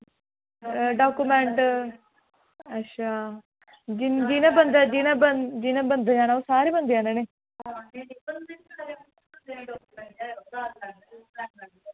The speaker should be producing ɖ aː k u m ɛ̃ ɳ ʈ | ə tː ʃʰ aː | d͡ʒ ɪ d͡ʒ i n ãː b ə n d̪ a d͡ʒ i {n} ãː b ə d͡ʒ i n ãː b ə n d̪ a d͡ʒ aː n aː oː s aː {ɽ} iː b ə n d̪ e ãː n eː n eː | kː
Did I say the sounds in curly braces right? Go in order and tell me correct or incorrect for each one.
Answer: correct, incorrect: ɾ

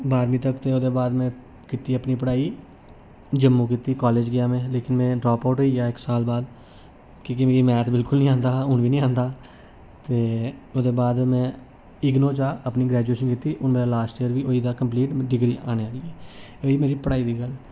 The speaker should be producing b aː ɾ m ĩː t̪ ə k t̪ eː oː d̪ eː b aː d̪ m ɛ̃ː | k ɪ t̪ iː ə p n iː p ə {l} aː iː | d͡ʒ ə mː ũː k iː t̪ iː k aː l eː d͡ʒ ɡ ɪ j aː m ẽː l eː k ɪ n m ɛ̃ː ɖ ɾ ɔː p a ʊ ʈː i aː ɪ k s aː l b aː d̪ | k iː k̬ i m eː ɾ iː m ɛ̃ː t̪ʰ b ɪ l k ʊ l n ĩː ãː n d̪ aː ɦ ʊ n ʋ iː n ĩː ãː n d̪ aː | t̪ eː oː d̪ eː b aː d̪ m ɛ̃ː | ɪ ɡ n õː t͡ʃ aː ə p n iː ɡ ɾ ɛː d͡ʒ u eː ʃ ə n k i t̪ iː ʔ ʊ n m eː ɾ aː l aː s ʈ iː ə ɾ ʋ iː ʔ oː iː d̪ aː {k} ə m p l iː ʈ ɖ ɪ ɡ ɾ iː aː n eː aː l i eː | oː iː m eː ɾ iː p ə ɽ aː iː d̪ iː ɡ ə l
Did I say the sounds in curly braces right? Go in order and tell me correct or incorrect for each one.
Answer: incorrect: ɽ, correct

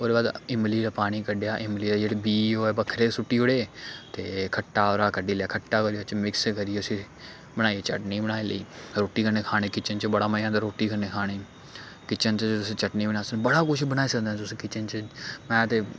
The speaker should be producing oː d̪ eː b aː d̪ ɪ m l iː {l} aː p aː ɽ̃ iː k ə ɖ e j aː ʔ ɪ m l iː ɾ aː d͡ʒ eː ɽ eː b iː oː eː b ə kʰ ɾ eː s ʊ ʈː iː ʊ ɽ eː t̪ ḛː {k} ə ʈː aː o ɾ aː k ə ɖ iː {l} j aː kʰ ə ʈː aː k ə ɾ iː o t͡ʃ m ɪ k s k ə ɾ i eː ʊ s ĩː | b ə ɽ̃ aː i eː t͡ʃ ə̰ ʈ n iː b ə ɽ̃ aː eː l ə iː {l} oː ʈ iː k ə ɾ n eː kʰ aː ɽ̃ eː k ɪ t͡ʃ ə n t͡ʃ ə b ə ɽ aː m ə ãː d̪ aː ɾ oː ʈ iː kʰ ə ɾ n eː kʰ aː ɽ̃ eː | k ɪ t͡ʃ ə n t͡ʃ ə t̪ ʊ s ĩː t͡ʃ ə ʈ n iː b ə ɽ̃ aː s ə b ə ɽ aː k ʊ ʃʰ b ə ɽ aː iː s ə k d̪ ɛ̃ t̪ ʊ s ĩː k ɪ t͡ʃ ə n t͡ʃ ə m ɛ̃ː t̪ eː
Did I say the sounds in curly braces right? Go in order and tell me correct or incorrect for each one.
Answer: incorrect: ɾ, incorrect: kʰ, correct, incorrect: ɾ

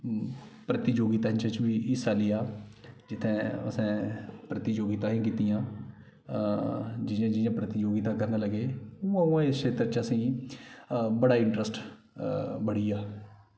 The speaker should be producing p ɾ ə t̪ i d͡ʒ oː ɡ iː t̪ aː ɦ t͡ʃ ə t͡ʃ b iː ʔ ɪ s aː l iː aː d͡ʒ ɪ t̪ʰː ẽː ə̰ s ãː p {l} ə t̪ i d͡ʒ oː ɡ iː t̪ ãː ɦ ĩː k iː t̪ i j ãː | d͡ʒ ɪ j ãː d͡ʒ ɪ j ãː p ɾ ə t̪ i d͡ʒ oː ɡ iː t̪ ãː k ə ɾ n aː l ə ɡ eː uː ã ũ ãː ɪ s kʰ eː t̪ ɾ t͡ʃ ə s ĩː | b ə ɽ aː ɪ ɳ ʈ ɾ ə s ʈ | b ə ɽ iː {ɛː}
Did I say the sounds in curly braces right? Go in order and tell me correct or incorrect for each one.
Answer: incorrect: ɾ, incorrect: aː

